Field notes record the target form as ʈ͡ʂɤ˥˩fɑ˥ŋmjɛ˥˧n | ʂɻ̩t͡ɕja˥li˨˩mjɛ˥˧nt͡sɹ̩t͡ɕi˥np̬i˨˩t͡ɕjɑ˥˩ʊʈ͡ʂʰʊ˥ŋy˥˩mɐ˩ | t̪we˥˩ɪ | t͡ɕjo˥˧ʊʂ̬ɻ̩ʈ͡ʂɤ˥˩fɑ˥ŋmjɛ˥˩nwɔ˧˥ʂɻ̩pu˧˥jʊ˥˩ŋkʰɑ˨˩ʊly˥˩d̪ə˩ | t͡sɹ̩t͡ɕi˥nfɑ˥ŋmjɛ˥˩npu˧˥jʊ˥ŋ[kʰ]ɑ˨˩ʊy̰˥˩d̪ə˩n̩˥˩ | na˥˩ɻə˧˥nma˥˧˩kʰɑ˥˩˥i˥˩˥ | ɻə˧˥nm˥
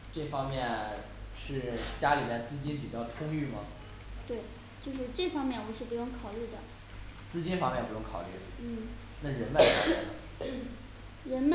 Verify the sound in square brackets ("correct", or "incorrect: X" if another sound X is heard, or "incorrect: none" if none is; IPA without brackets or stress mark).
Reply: correct